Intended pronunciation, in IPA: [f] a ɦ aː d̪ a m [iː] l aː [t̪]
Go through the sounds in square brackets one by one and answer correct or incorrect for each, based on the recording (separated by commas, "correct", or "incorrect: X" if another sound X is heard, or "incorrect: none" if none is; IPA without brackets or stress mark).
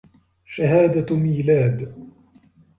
incorrect: ʃ, correct, incorrect: d̪